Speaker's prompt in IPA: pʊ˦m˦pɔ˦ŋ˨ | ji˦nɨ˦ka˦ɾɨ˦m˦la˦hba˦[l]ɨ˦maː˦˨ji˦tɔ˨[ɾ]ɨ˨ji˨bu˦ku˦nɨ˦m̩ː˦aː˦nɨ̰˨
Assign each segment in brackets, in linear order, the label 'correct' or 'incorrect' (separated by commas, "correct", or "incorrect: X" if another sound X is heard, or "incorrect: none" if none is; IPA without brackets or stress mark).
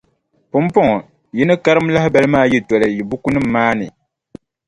correct, incorrect: l